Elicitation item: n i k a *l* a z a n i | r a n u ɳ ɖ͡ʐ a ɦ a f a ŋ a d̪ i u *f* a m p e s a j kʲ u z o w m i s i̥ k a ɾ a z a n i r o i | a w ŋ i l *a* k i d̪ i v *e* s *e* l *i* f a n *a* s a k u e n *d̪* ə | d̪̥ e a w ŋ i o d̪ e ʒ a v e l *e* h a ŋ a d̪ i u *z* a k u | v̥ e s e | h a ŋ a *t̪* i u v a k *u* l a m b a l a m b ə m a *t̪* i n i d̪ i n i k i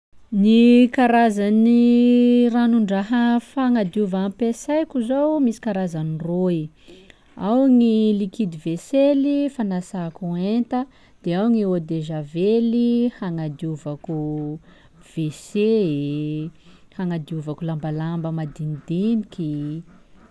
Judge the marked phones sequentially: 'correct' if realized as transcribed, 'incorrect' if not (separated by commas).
incorrect, incorrect, incorrect, correct, correct, correct, correct, incorrect, incorrect, incorrect, incorrect, correct, incorrect